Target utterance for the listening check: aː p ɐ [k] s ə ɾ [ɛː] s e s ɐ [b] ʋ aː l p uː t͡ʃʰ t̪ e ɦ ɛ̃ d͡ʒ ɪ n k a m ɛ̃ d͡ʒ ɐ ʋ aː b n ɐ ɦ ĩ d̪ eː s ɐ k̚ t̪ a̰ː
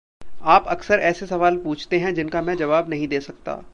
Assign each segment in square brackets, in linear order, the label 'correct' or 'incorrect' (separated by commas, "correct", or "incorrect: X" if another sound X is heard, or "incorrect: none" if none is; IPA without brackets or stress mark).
correct, correct, incorrect: none